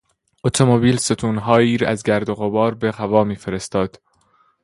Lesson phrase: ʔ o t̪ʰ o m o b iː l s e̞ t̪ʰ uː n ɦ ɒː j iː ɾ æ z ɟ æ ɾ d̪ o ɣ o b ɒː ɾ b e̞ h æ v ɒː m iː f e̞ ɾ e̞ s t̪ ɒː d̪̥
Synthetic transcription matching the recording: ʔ o t̪ʰ o m o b iː l s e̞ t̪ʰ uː n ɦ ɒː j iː ɾ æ z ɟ æ ɾ d̪ o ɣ o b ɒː ɾ b e̞ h æ v ɒː m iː f e̞ ɾ e̞ s t̪ ɒː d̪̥